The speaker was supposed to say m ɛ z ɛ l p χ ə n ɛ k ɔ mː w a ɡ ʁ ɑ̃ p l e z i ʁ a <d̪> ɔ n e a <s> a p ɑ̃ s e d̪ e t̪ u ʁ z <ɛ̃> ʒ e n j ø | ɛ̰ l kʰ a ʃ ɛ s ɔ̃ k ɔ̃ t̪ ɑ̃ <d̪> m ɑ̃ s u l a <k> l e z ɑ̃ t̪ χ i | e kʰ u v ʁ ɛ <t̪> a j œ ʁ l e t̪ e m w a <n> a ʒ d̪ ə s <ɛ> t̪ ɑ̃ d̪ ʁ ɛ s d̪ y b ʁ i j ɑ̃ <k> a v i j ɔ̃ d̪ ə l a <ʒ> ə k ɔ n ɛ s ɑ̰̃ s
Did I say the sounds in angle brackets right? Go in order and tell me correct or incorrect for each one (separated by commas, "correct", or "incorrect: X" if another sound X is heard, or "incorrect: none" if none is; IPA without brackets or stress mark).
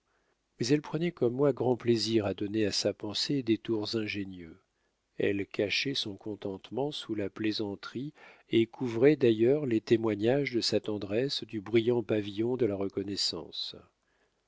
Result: correct, correct, correct, incorrect: t̪, incorrect: p, incorrect: d̪, incorrect: ɲ, incorrect: a, incorrect: p, incorrect: ʁ